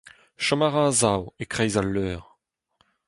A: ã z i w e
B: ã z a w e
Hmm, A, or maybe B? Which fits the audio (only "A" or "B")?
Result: B